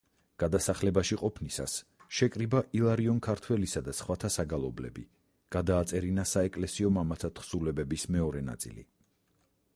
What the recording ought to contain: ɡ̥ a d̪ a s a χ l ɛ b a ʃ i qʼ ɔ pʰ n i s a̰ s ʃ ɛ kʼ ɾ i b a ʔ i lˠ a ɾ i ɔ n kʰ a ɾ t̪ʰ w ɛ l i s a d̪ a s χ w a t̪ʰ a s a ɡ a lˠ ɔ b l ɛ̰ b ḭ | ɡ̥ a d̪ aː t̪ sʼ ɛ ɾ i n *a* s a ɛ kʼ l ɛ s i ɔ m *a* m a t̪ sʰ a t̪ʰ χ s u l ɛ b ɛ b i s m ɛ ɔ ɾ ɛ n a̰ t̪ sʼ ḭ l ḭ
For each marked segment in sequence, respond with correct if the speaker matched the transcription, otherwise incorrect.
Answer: correct, correct

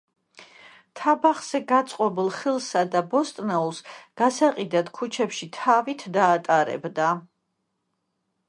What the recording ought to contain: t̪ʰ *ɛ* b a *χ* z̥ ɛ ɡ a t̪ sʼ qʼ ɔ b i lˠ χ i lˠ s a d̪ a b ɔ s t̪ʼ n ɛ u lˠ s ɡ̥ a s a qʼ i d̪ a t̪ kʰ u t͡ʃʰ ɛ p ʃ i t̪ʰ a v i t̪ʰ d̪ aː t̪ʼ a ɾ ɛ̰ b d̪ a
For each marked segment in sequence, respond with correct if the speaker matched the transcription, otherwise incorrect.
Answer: incorrect: a, correct

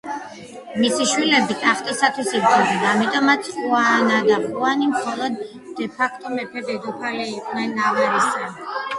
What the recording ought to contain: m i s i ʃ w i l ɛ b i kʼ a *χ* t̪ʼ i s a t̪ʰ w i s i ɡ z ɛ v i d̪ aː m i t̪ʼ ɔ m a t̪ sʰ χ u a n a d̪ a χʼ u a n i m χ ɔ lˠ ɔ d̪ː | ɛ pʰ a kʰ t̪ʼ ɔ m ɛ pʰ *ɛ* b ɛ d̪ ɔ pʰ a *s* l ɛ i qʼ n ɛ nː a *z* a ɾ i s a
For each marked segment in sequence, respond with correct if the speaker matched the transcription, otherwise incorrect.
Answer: correct, correct, incorrect: none, incorrect: v

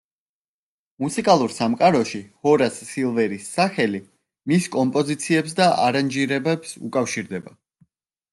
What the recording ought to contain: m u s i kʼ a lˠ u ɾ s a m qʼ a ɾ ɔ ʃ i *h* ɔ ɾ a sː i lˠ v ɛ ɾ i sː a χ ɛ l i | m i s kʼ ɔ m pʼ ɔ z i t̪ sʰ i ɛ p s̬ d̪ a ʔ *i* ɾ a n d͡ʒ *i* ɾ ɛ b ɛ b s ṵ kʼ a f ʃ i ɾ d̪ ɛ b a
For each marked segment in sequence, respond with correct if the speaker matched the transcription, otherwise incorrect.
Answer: correct, incorrect: a, correct

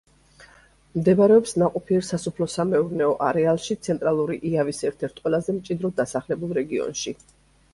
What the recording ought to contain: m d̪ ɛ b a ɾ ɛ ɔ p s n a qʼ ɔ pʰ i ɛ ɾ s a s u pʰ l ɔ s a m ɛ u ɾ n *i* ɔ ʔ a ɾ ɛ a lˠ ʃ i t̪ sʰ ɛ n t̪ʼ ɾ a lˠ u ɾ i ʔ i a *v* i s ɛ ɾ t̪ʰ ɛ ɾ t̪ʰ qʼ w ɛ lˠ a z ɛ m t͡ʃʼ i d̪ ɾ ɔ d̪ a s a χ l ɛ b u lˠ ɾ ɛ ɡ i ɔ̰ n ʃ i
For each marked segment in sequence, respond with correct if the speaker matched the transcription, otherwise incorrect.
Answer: incorrect: ɛ, correct

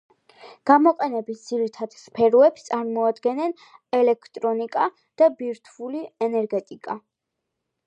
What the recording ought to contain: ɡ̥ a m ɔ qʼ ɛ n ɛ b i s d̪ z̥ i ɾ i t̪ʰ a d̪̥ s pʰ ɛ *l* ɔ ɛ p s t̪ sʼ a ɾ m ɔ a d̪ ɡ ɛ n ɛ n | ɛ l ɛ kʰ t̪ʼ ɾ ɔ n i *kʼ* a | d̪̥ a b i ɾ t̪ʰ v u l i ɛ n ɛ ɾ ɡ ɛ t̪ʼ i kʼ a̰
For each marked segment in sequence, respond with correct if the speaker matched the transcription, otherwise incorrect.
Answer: incorrect: ɾ, correct

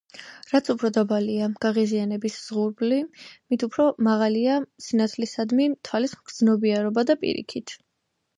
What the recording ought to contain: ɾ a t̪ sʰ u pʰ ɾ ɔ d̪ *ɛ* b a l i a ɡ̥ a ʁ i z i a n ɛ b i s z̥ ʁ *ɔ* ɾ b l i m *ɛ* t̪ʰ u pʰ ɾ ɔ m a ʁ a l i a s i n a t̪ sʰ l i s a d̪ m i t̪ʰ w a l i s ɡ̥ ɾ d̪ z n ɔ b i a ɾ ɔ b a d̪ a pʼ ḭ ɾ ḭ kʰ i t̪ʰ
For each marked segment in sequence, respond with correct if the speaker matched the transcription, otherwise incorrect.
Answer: incorrect: a, incorrect: u, incorrect: i

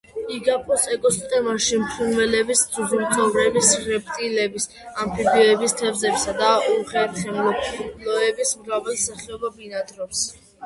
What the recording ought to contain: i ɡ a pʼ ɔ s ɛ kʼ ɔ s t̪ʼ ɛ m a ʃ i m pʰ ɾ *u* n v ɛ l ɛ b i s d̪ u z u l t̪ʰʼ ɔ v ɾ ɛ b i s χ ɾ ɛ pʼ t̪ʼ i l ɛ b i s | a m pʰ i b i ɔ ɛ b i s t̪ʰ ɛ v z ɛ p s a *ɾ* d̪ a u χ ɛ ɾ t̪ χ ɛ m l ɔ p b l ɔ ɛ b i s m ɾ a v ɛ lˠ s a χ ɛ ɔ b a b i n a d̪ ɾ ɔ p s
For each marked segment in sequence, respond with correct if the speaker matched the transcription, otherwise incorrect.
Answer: correct, incorrect: none

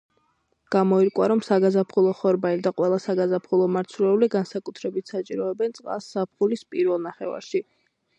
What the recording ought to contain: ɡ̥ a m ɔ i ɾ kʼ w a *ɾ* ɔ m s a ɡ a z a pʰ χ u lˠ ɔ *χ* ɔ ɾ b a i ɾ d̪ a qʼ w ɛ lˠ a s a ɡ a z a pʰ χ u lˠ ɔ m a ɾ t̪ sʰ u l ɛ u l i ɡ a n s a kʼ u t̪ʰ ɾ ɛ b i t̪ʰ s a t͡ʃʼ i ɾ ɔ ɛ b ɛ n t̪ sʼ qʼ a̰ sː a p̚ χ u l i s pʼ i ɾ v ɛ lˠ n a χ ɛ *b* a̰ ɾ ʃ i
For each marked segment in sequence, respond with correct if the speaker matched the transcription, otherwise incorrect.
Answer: correct, correct, incorrect: v

